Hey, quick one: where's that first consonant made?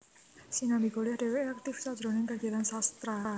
tongue tip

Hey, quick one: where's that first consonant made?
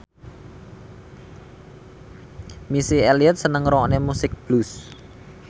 lips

